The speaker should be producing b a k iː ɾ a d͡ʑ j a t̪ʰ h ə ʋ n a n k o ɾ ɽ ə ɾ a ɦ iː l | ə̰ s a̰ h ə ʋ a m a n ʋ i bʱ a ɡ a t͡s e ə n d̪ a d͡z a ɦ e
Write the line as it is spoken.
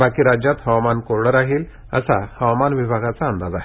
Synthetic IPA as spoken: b a k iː ɾ a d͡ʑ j a t̪ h ə ʋ m a n k o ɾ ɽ ə ɾ a ɦ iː l | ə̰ s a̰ h ə ʋ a m a n ʋ i bʱ a ɡ a t͡s a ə n d̪ a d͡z a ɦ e

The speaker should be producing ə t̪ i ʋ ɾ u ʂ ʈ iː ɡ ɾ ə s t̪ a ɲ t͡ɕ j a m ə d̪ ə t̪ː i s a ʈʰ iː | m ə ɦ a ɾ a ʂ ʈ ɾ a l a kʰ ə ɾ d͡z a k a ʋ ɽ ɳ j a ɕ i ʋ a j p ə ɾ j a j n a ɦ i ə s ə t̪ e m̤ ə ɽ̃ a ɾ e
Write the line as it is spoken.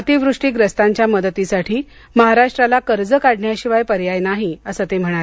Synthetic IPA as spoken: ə t̪ i ʋ ɾ u ʂ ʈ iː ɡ ɾ ə s t̪ a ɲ t͡ɕ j a m ə d̪ ə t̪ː i s a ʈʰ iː | m ə ɦ a ɾ a ʂ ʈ ɾ a l a k ə ɾ d͡z ə k a ɽ ɳ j a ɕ i ʋ a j p ə ɾ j a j n a ɦ i ə s ə t̪ e m̤ ə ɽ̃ a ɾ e

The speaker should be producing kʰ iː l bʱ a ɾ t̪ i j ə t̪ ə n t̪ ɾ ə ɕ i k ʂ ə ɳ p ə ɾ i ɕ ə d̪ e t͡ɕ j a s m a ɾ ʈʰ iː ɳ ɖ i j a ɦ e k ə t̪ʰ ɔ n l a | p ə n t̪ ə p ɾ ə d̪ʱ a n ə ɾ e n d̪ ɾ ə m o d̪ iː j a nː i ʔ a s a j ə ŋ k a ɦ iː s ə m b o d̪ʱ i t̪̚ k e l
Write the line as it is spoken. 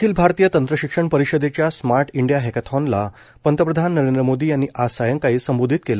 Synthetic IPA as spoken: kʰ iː l bʱ a ɾ t̪ i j ə t̪ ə n t̪ ɾ ə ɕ i k ʂ ə ɳ p ə ɾ i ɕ ə d̪ e t͡ɕ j a s m a ɾ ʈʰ i ɳ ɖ i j a ɦ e k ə t̪ʰ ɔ n l a | p ə n t̪ ə p ɾ ə d̪ʱ a nː ə ɾ e n d̪ ɾ ə m o d̪ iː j a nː i ʔ a s a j ə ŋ k a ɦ iː s ə m b o d̪ʱ i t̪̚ k e l

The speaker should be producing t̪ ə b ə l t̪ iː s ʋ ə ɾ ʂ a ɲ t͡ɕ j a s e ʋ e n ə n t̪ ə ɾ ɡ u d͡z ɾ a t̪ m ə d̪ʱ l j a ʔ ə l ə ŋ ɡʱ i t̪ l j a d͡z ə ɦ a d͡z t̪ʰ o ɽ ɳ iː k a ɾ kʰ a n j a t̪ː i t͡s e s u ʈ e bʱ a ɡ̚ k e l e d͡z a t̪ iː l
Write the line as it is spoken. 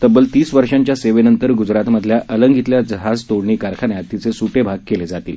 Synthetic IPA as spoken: t̪ ə b ə l t̪ iː s ʋ ə ɾ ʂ a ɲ t͡ɕ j a s e ʋ e n ə n t̪ ə ɾ ɡ u d͡z ɾ a t̪ m ə d̪ʱ l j a ʔ ə l ə ŋ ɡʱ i t̪ l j a d͡z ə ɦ a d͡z t̪ o ɽ ɳ iː k a ɾ kʰ a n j a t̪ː i t͡s e s u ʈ e bʱ a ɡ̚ k e l e d͡z a t̪ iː l

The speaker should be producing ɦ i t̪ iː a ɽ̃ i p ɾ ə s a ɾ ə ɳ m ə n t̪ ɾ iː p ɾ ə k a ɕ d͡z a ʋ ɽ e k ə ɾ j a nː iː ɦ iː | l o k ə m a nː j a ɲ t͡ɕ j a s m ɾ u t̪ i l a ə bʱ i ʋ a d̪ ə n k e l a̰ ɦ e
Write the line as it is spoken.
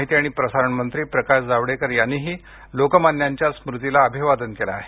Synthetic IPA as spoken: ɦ i t̪ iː a ɽ̃ i p ɾ ə s a ɾ ə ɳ m ə n t̪ ɾ iː p ɾ ə k a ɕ d͡z a ʋ ɽ e k ə ɾ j a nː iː ɦ iː | l o k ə m a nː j a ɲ t͡ɕ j a s m ɾ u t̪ i l a ə bʱ i ʋ a d̪ ə n k e l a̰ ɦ e

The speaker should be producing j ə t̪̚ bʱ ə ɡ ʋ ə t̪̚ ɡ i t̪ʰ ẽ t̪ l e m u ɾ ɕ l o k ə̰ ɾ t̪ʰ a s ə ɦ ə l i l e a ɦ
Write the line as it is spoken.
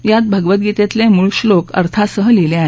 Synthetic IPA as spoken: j a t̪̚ bʱ ə ɡ ʋ ə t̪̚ ɡ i t̪ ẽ t̪ l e m u ɭ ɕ l o k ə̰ ɾ t̪ʰ a s ə ɦ ə l i l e a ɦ

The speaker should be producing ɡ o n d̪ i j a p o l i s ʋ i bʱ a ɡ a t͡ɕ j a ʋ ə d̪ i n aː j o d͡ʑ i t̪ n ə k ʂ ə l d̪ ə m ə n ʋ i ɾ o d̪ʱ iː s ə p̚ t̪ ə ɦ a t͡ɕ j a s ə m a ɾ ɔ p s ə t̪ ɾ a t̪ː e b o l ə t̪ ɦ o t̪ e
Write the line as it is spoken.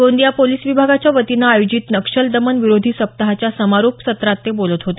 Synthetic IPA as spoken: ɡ o n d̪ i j a p o l i s ʋ i bʱ a ɡ a t͡ɕ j a ʋ ə t̪ i n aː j o d͡ʑ i t̪ n ə k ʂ ə l d̪ ə m ə n ʋ i ɾ o d̪ʱ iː s ə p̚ t̪ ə ɦ a t͡ɕ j a s ə m a ɾ o p s ə t̪ ɾ a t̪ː e b o l ə t̪ ɦ o t̪ e

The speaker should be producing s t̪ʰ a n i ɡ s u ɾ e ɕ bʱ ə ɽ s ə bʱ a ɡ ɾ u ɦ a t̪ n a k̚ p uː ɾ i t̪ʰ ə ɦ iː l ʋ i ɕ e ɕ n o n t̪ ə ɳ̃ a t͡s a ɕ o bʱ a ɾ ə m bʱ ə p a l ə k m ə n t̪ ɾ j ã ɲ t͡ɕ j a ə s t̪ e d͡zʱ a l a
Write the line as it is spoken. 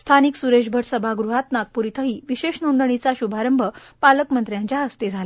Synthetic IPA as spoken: s t̪ʰ a n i k s u ɾ e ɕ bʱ ə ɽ s ə bʱ a ɡ ɾ u ɦ a t̪ n a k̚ p u ɾ i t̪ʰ ə ɦ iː ʋ i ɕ e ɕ n o n d̪ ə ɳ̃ i t͡s a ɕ u bʱ a ɾ ə m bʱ ə p a l ə k m ə n t̪ ɾ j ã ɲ t͡ɕ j a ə s t̪ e d͡zʱ a l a

